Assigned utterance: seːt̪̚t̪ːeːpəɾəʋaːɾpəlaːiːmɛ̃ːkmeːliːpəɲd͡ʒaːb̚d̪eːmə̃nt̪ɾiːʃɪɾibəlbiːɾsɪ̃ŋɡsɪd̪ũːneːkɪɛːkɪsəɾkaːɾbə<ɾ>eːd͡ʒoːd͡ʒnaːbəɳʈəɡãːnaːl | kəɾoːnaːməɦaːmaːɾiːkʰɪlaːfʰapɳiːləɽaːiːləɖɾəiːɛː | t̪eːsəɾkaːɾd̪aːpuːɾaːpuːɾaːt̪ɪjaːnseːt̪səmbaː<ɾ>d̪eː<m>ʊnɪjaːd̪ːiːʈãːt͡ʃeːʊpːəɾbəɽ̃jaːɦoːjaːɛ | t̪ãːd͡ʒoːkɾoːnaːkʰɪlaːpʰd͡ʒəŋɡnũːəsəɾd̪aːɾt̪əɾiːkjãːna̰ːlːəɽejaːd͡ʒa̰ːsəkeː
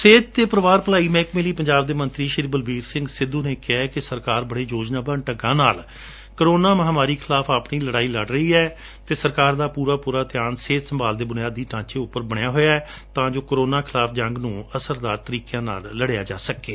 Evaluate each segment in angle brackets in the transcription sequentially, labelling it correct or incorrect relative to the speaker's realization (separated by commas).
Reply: incorrect, incorrect, incorrect